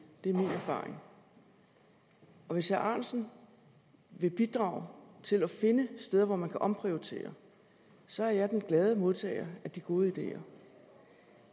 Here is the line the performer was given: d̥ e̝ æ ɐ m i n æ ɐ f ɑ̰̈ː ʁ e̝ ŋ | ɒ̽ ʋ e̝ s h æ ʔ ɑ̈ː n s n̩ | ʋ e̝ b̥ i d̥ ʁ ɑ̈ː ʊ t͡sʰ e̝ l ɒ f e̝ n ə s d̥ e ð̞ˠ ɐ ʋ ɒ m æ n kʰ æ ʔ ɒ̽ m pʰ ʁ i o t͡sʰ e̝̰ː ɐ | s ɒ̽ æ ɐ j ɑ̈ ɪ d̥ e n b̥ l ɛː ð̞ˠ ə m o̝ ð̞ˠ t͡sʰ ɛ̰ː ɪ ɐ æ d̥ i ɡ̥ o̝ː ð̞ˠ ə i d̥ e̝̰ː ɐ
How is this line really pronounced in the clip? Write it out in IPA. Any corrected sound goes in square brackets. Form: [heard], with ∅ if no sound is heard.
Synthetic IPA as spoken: d̥ e̝ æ ɐ m i n æ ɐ f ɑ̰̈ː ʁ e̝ ŋ | ɒ̽ ʋ e̝ s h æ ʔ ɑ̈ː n s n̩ | ʋ e̝ b̥ i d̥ ʁ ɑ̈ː ʊ t͡sʰ e̝ l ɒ f e̝ n ə s d̥ e ð̞ˠ ɐ ʋ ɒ m æ n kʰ æ ʔ ɒ̽ m pʰ ʁ i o t͡sʰ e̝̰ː ɐ | s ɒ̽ æ ɐ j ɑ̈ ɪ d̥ e n [ɡ̥] l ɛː ð̞ˠ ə m o̝ ð̞ˠ t͡sʰ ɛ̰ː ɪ ɐ æ d̥ i ɡ̥ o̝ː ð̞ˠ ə i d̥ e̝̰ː ɐ